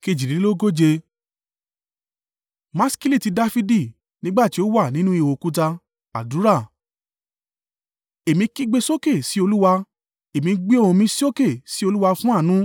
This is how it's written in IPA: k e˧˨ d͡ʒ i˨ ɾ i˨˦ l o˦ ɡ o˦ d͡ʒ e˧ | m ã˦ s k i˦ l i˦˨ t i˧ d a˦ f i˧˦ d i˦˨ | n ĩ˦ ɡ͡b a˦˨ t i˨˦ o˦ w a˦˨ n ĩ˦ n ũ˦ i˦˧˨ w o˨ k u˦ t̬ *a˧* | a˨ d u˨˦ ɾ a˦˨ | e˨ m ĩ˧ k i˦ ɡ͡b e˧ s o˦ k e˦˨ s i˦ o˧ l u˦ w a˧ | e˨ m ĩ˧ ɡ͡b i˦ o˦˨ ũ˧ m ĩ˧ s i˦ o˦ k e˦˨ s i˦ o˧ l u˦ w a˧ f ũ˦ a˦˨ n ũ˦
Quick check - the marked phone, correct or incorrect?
correct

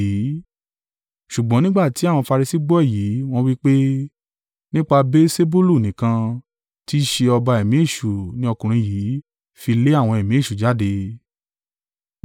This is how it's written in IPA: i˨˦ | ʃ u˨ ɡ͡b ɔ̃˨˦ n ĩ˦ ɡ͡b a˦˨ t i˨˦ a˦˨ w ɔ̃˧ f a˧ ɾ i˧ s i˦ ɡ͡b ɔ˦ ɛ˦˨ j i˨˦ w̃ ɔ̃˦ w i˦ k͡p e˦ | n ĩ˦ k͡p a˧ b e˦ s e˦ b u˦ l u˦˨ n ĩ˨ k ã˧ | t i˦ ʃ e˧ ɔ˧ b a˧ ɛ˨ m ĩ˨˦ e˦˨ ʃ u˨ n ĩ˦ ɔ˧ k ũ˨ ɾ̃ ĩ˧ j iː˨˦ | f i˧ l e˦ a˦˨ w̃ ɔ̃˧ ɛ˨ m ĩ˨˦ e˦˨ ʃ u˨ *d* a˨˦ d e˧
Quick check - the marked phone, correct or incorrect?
incorrect: d͡ʒ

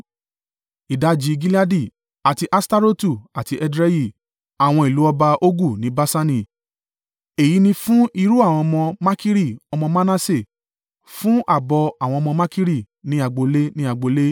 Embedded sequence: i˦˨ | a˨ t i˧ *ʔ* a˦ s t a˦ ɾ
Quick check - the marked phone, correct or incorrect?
correct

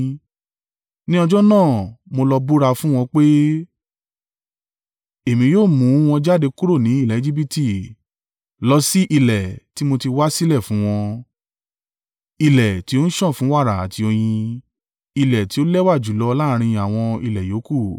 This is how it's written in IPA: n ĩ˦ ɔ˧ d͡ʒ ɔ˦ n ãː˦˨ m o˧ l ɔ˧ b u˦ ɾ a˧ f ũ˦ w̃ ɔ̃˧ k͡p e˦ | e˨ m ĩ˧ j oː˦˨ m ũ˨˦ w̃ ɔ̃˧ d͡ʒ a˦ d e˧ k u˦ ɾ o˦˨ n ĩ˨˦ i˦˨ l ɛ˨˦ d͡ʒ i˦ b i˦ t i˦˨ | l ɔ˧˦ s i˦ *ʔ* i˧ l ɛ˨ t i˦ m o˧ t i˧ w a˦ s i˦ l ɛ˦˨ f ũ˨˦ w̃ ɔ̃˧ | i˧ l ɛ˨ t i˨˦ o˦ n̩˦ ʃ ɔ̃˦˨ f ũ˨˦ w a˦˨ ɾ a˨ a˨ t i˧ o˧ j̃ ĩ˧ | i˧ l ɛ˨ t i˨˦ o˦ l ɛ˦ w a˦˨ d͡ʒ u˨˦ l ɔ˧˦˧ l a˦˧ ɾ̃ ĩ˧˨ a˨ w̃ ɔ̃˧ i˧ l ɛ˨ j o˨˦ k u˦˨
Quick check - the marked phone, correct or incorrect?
correct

